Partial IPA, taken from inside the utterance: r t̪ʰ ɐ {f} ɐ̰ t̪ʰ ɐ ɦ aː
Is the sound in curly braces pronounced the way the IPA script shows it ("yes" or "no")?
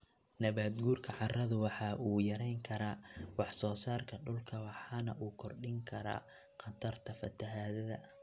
yes